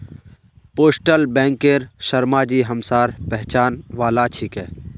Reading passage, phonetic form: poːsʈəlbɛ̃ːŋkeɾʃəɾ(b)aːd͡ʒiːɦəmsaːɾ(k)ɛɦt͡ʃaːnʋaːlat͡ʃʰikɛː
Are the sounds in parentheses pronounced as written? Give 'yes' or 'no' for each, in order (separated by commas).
no, no